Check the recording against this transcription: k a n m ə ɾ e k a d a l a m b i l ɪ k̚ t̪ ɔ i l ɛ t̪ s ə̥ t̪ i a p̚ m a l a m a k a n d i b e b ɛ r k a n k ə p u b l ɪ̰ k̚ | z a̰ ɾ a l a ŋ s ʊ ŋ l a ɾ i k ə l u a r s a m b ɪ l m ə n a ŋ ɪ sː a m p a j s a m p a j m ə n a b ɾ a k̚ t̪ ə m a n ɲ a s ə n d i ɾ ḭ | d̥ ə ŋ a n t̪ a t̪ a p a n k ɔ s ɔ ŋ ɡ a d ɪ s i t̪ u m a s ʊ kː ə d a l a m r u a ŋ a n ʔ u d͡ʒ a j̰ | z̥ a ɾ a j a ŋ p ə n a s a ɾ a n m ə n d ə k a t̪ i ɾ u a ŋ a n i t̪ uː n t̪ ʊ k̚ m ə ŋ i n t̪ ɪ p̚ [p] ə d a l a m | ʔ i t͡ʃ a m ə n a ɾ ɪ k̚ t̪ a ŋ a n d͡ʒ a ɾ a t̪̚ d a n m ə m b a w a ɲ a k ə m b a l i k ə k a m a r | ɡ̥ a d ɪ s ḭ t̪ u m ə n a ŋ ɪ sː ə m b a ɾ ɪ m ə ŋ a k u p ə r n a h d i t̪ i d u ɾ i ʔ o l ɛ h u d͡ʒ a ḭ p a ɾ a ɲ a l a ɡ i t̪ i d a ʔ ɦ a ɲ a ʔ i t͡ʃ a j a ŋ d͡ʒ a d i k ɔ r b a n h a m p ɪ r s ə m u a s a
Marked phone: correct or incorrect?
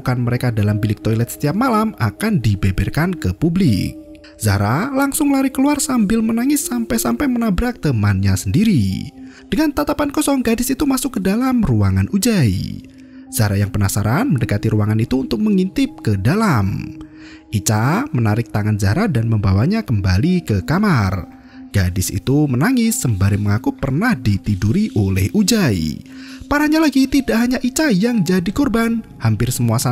incorrect